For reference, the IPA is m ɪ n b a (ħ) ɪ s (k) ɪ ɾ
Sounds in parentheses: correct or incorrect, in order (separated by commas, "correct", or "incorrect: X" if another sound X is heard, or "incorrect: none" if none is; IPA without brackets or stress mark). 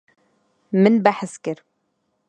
correct, correct